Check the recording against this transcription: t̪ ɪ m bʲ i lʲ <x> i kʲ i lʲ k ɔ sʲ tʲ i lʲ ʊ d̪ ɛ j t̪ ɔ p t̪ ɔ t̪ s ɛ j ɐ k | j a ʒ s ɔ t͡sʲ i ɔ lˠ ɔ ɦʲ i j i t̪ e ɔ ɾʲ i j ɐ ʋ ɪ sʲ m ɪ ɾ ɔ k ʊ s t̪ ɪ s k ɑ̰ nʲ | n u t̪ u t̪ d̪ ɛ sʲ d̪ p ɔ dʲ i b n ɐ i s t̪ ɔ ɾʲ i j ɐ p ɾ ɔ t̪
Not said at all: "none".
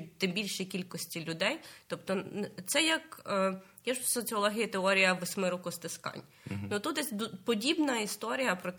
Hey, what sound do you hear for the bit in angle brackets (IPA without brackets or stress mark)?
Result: ʃ